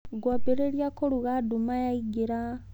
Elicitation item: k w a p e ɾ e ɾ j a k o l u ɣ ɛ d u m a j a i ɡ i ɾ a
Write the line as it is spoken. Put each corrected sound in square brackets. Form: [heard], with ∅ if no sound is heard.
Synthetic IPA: [ɡ] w a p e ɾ e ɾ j a k o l u ɣ [a] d u m a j a i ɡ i ɾ a